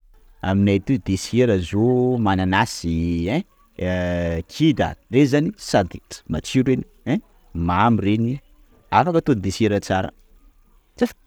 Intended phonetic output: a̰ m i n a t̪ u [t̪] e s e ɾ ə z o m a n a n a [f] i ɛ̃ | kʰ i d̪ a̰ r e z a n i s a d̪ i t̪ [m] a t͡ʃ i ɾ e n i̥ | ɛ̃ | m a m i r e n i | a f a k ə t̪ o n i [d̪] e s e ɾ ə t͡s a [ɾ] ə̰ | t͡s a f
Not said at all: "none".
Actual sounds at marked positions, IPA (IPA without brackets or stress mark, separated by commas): d̪, s, m, d̪, ɾ